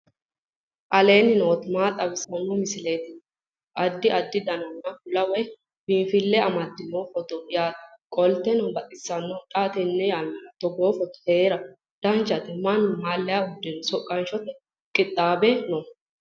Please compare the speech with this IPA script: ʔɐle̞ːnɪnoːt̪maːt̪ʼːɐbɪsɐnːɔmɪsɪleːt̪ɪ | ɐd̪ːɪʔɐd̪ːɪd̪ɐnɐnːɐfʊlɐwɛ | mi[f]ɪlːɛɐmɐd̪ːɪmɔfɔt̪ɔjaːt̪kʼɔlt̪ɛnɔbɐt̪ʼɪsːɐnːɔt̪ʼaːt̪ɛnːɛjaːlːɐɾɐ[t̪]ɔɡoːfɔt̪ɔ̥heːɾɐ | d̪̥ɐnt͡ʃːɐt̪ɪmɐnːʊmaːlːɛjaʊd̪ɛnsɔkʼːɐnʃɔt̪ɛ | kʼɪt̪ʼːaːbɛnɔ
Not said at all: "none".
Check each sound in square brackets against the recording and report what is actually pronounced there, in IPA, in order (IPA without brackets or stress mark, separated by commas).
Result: f, t̪